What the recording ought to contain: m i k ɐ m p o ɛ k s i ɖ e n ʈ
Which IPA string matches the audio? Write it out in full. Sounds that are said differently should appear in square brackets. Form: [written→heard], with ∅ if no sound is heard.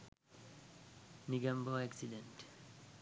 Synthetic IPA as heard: [m→n] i [k→ɡ] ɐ m [p→b] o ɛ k s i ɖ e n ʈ